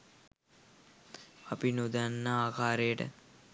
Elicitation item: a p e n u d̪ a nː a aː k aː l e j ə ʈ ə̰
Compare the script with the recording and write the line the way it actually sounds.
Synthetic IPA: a p i n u d̪ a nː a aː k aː ɾ e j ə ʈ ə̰